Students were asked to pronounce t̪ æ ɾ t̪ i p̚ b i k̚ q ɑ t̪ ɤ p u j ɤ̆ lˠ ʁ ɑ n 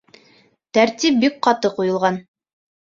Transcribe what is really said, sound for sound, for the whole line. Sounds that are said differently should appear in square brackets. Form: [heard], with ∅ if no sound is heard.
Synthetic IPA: t̪ æ ɾ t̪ i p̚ b i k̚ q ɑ t̪ ɤ [q] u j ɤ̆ lˠ ʁ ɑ n